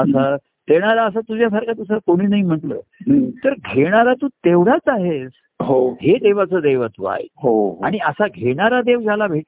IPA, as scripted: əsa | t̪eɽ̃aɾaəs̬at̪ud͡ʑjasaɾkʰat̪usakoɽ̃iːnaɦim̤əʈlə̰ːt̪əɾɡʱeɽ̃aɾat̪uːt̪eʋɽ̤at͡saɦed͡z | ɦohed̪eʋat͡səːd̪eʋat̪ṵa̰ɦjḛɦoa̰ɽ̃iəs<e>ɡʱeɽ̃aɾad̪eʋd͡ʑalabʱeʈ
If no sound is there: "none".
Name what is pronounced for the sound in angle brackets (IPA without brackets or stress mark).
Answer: a